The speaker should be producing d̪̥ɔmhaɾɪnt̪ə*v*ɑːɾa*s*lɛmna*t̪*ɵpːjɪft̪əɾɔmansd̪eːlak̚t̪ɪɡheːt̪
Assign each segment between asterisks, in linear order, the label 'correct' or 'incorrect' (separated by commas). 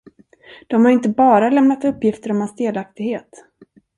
incorrect, incorrect, correct